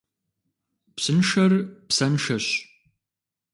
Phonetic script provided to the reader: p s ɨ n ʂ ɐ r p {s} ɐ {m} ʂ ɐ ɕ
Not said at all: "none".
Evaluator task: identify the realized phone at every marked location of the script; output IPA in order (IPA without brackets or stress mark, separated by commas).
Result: s, n